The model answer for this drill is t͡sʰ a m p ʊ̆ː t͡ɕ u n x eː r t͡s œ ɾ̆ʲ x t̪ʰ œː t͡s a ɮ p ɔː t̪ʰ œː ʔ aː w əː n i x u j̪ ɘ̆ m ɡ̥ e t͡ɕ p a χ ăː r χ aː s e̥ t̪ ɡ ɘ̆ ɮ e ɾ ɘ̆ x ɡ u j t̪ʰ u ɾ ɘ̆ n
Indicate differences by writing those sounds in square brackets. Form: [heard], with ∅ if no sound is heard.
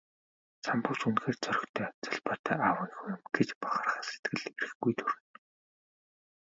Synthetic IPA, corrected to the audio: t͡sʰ a m p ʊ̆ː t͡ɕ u n x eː r t͡s œ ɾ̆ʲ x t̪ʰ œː t͡s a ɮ p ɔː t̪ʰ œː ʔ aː w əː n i x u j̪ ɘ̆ m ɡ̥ e t͡ɕ p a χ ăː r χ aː s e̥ t̪ ɡ ɘ̆ ɮ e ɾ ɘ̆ x ɡ u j t̪ʰ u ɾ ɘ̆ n